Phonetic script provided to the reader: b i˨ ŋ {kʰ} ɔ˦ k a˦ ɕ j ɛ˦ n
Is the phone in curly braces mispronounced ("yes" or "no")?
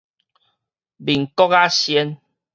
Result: yes